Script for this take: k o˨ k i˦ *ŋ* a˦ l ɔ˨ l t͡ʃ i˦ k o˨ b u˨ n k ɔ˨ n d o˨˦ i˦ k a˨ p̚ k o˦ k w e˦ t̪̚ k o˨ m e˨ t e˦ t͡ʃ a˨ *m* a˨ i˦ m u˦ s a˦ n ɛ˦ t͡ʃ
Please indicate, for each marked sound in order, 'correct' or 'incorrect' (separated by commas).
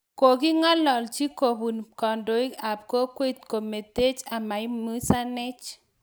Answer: correct, correct